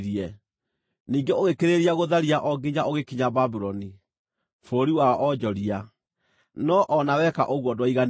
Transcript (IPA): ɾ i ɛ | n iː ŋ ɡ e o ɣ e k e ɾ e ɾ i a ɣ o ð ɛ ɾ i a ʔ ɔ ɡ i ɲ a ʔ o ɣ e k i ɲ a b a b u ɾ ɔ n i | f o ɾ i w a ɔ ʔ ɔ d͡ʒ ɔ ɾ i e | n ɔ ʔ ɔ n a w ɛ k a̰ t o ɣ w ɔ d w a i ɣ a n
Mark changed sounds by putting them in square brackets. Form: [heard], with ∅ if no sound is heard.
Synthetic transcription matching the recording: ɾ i ɛ | n iː ŋ ɡ e o ɣ e k e ɾ e ɾ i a ɣ o ð [a] ɾ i a ʔ ɔ ɡ i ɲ a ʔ o ɣ e k i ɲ a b a b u ɾ ɔ n i | f o ɾ i w a ɔ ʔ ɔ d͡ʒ ɔ ɾ i [a] | n ɔ ʔ ɔ n a w ɛ k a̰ [ʔ] o ɣ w ɔ d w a i ɣ a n